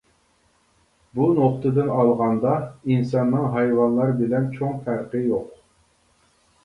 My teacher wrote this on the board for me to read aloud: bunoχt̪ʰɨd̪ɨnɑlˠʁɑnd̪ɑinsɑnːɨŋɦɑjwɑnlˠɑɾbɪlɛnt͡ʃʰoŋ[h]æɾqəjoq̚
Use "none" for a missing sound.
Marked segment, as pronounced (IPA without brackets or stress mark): f